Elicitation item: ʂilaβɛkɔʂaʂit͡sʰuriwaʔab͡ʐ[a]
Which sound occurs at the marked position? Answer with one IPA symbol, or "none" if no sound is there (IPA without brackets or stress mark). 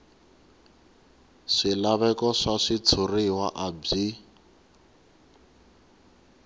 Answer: i